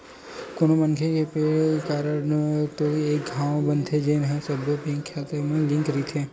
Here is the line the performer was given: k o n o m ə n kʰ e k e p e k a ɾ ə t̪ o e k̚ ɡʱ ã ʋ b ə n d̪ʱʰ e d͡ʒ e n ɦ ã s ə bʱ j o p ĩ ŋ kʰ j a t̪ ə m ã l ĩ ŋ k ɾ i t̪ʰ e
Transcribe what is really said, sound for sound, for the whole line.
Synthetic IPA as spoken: k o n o m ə n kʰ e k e p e k a ɾ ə t̪ o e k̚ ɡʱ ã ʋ b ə n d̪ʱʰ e d͡ʒ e n ɦ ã s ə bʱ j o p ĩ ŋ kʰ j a t̪ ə m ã l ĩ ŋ k ɾ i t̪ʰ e